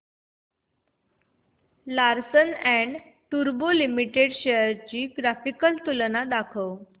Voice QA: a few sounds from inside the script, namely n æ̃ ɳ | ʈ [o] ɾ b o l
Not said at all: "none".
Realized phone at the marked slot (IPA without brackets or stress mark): u